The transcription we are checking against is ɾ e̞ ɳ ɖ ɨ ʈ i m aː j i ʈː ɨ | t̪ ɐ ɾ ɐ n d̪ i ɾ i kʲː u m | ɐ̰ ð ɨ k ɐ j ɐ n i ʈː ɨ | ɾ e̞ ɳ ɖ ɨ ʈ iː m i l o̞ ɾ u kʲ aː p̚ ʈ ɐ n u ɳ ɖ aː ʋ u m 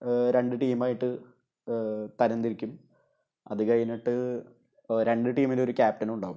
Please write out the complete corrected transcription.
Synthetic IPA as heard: ɾ e̞ ɳ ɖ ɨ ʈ iː m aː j i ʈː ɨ | t̪ ɐ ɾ ɐ n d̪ i ɾ i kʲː u m | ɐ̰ ð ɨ k ɐ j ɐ n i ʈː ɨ | ɾ e̞ ɳ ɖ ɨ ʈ iː m i l o̞ ɾ u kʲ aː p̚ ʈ ɐ n u ɳ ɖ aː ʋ u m